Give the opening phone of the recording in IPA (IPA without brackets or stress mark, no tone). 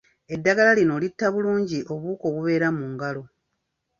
e̞